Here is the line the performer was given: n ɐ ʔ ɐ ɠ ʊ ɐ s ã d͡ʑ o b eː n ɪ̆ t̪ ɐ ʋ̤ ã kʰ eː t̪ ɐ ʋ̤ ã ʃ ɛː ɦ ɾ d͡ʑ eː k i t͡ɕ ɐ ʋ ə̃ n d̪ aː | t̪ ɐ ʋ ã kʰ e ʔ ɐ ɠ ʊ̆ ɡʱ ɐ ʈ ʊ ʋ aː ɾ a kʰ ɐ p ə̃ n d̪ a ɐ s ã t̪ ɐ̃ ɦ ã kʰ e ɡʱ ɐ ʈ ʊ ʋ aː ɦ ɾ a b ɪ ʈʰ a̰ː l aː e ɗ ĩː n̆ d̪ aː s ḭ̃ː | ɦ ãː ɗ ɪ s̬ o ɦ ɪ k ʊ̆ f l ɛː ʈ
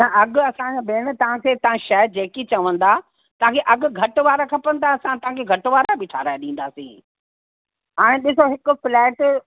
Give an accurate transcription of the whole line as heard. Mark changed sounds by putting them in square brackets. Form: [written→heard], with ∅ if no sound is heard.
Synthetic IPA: n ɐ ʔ ɐ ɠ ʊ ɐ s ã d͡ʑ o b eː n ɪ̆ t̪ ɐ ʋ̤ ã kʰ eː t̪ ɐ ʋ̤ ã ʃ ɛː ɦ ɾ d͡ʑ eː k i t͡ɕ ɐ ʋ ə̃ n d̪ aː | t̪ ɐ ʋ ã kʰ e ʔ ɐ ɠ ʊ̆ ɡʱ ɐ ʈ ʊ ʋ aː ɾ a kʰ ɐ p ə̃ n d̪ a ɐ s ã t̪ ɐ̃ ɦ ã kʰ e ɡʱ ɐ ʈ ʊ ʋ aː [ɦ→∅] ɾ a b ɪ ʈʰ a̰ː [l→ɾ] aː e ɗ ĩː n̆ d̪ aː s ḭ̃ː | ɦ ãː ɗ ɪ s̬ o ɦ ɪ k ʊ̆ f l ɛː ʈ